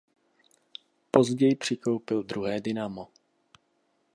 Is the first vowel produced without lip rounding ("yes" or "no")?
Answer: no